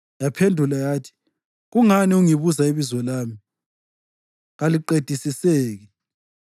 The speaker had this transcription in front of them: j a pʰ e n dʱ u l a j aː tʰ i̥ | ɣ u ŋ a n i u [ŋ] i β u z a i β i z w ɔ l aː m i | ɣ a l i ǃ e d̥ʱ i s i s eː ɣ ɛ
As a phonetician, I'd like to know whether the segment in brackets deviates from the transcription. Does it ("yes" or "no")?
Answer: no